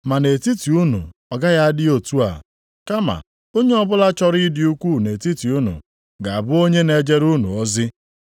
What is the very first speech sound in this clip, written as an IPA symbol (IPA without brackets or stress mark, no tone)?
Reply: m